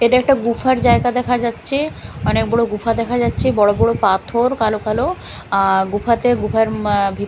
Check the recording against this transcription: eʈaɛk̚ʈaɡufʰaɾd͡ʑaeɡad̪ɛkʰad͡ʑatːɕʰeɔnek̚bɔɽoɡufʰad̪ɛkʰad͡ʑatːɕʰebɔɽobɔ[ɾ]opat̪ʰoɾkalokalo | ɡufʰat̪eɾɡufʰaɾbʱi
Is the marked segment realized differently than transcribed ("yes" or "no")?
yes